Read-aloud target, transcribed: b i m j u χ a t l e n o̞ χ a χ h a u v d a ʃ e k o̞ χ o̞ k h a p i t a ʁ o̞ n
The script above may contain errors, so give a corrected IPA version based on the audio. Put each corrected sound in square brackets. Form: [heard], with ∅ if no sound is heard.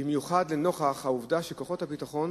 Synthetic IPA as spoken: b i m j u χ a [d] l e n o̞ χ a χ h a u v d a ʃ e k o̞ χ o̞ [t] h a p i t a [χ] o̞ n